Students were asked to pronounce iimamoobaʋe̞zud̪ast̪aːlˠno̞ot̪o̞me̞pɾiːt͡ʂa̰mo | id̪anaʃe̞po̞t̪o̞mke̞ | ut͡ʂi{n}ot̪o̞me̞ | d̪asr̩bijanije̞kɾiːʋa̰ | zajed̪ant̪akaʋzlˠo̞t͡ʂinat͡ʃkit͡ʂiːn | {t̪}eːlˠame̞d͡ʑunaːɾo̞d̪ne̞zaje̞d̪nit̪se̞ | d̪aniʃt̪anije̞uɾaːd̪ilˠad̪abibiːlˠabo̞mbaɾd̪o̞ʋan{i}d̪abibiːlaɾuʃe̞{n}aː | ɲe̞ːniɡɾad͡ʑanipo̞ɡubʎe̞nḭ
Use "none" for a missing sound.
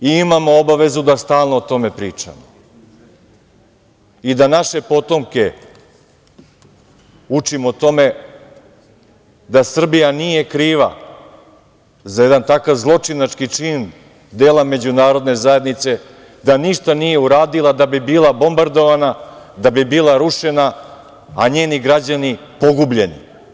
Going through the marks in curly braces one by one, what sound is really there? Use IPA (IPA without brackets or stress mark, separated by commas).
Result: m, d̪, a, n